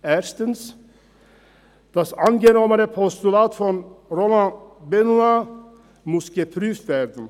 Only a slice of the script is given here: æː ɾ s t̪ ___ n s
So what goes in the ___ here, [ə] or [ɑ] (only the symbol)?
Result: ə